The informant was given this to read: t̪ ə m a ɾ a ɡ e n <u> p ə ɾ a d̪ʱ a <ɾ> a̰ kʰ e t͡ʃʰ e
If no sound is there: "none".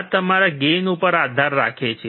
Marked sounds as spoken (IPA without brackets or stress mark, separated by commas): u, ɾː